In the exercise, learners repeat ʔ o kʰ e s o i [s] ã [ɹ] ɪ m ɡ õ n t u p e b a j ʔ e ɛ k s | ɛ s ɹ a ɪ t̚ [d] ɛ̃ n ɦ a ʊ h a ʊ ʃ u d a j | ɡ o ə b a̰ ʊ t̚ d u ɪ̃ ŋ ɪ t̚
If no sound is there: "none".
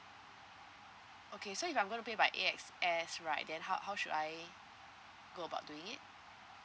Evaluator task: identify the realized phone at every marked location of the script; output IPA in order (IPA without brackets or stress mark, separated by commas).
f, none, d